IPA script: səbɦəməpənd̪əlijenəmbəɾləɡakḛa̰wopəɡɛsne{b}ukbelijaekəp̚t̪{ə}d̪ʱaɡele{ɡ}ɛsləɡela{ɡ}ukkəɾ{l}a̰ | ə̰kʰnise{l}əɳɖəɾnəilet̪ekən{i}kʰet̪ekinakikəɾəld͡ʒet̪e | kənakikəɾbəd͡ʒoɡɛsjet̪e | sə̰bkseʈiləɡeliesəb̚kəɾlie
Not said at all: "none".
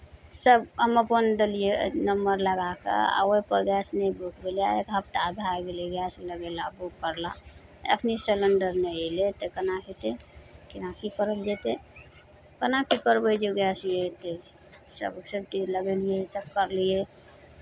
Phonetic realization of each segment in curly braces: b, a, ɡ, b, l, l, a

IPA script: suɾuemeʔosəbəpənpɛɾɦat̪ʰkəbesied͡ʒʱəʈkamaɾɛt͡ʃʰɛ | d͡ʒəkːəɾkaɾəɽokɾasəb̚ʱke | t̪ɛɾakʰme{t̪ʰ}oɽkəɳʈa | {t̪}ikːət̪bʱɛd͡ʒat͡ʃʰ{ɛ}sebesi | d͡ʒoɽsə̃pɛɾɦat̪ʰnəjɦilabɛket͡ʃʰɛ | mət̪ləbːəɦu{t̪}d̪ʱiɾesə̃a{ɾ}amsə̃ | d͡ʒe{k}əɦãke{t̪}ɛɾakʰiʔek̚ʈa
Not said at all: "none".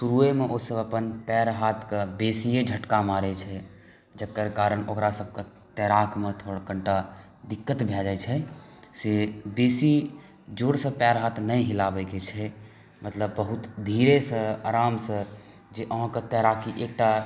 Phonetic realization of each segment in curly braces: t̪ʰ, d̪, ɛ, t̪, ɾ, ʔ, t̪

